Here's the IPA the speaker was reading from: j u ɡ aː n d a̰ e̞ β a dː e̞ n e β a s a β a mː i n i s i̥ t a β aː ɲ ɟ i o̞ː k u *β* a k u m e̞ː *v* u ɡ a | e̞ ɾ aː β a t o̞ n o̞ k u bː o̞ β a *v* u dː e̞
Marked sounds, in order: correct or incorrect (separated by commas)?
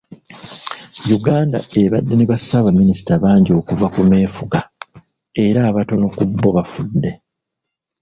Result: incorrect, incorrect, incorrect